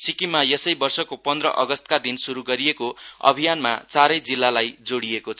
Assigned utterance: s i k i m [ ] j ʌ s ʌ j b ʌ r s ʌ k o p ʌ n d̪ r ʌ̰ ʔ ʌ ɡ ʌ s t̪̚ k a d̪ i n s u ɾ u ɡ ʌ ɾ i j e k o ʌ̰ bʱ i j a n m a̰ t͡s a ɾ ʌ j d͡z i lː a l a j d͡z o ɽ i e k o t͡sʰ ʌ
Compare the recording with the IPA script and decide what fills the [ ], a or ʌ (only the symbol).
a